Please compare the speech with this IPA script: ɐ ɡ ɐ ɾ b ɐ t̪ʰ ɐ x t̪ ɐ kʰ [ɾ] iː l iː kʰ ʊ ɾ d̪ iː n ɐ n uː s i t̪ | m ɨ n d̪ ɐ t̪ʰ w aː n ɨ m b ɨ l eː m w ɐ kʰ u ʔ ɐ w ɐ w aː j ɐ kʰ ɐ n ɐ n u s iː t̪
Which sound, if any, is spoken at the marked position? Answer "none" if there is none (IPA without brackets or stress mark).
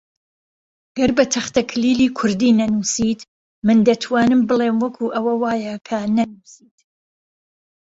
l